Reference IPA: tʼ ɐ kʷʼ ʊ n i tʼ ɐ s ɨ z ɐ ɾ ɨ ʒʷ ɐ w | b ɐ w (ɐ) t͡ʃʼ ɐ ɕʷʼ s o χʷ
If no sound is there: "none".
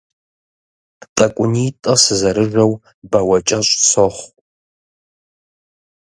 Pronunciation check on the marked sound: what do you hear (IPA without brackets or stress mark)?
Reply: ɐ